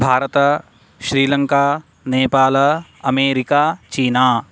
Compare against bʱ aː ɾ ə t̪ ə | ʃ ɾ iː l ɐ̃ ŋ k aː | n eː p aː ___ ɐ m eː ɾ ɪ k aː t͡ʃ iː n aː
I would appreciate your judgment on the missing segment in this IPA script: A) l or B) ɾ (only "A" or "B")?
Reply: A